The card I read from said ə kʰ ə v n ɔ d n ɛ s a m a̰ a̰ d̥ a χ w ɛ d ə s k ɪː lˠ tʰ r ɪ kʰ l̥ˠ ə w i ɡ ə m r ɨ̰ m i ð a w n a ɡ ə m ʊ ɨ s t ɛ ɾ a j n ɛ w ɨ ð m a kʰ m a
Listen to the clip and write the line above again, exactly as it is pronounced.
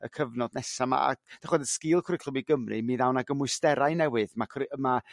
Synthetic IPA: ə kʰ ə v n ɔ d n ɛ s a m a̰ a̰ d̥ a χ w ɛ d ə s k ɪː lˠ kʰ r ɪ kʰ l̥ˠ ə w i ɡ ə m r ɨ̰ m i ð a w n a ɡ ə m ʊ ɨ s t ɛ ɾ a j n ɛ w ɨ ð m a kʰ m a